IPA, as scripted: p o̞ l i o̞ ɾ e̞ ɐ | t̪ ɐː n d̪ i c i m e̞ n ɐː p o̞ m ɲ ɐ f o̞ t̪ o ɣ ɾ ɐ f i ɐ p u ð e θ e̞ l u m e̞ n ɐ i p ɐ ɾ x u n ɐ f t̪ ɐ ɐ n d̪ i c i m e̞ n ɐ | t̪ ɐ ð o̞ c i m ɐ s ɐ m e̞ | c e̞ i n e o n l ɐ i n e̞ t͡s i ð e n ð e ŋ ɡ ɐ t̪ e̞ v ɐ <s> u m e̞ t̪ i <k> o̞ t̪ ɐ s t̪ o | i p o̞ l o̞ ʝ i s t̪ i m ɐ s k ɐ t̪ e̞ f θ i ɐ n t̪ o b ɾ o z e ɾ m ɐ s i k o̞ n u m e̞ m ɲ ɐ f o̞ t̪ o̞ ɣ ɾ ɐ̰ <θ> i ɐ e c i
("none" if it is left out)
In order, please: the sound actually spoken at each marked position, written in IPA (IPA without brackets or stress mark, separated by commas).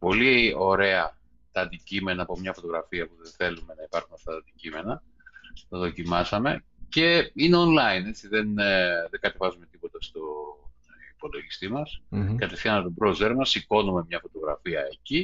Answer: z, p, f